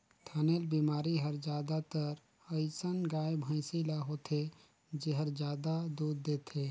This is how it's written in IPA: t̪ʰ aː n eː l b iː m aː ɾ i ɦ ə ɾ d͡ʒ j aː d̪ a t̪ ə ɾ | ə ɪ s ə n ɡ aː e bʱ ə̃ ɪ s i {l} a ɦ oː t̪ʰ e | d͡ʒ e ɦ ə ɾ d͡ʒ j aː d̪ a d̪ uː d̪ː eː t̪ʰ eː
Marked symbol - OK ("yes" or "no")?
yes